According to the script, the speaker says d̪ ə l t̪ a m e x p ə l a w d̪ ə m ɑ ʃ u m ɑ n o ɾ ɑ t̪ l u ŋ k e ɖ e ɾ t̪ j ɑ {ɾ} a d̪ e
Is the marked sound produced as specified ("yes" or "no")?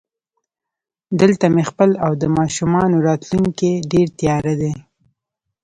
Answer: yes